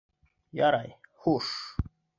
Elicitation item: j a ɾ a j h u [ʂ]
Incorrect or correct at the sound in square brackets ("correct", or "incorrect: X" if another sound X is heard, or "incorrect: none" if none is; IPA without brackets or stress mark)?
correct